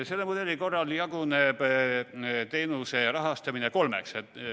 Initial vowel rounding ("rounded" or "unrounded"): unrounded